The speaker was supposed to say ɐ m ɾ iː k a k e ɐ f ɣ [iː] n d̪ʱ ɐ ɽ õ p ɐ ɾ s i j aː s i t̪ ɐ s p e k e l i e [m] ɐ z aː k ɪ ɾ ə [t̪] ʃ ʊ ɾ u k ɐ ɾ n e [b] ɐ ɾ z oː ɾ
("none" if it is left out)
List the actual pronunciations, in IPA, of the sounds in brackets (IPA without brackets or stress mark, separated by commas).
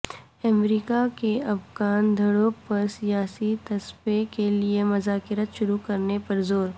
aː, m, t̪, p